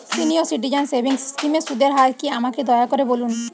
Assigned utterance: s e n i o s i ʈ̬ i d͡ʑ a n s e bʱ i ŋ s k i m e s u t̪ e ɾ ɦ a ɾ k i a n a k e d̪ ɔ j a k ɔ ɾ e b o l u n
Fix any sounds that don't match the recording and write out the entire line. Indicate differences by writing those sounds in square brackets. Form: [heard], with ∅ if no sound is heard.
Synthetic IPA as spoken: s [i] n i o s i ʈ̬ i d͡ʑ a n s e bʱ i ŋ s k i m e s u [d̪] e ɾ ɦ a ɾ k i a [m] a k e d̪ ɔ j a k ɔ ɾ e b o l u n